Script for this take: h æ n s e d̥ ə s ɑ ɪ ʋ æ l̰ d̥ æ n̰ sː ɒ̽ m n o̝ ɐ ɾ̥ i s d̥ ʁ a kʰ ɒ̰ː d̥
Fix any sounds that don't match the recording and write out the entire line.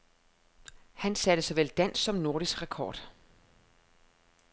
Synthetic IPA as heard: h æ n s æ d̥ ə s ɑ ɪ ʋ e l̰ d̥ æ n̰ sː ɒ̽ m n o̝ ɐ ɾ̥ i s ɡ̥ ʁ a kʰ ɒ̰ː d̥